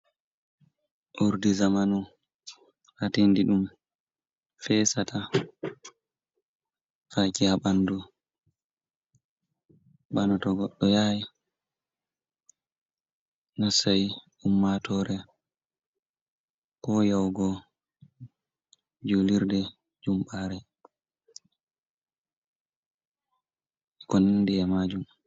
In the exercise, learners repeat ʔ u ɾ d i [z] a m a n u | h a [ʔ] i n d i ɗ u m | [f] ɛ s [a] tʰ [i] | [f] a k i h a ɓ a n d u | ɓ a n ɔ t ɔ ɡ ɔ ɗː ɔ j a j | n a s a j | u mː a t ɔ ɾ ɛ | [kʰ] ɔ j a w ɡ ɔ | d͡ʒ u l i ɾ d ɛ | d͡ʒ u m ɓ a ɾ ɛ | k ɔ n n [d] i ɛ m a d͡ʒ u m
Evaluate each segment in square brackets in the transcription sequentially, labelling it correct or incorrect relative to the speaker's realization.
correct, incorrect, correct, correct, incorrect, correct, incorrect, correct

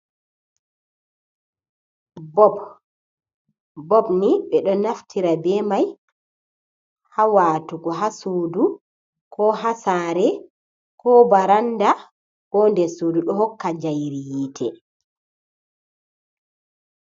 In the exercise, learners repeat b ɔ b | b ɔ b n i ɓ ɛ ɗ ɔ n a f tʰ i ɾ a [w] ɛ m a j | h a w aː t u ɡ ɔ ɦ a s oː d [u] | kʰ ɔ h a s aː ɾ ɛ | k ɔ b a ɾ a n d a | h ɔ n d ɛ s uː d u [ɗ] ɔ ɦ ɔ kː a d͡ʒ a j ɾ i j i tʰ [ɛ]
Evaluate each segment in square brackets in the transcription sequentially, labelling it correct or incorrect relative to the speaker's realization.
incorrect, correct, correct, correct

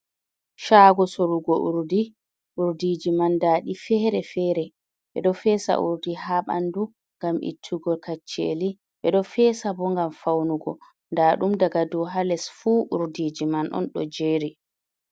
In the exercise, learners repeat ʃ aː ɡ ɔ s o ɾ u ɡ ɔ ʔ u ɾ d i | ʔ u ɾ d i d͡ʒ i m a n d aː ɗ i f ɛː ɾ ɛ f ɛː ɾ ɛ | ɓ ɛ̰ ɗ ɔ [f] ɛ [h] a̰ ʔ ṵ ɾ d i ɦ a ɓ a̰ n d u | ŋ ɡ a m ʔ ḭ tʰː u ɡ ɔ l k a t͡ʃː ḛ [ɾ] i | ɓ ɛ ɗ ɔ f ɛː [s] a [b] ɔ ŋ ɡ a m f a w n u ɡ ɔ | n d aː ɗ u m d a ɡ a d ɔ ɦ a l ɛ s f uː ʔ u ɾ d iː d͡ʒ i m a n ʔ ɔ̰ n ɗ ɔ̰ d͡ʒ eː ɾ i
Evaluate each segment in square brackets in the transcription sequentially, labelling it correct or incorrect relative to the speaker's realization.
correct, incorrect, incorrect, correct, correct

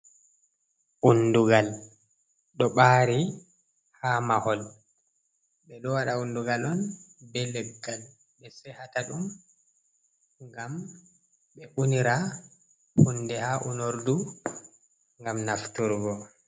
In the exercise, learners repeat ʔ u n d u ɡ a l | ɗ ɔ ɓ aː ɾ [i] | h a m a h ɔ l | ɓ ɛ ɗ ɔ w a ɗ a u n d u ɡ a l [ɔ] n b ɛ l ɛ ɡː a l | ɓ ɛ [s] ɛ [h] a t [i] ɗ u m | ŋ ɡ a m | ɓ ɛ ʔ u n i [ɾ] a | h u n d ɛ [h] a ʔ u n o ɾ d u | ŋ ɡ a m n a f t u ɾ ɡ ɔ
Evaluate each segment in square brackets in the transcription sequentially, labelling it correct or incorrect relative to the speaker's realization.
correct, correct, correct, correct, incorrect, correct, correct

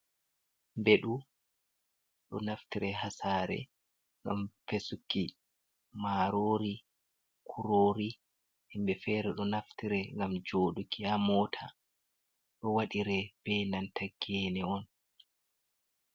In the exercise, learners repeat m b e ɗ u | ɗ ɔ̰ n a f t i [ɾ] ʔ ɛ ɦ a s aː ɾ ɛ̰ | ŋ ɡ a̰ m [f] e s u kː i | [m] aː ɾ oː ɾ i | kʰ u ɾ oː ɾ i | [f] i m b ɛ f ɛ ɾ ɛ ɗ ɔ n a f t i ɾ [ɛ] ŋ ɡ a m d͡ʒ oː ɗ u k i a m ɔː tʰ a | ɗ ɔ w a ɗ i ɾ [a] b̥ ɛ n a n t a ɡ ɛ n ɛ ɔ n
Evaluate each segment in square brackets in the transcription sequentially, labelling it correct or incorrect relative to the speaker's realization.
correct, correct, correct, incorrect, correct, incorrect

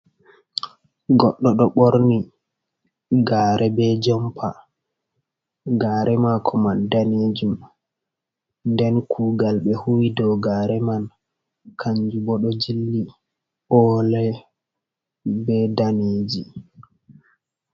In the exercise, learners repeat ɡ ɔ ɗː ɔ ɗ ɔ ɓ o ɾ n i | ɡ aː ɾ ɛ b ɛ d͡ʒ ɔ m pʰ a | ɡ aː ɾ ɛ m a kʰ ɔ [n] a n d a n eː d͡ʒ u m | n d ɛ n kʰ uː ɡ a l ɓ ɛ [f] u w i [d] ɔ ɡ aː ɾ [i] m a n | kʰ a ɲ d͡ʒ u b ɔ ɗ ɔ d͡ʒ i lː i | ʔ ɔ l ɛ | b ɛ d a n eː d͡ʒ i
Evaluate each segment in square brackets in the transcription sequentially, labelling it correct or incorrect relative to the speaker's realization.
incorrect, incorrect, correct, incorrect

